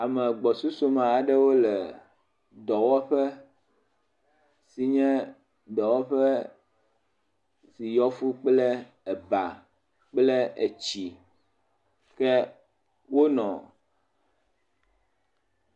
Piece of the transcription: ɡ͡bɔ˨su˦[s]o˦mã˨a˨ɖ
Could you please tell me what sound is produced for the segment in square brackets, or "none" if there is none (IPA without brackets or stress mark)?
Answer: s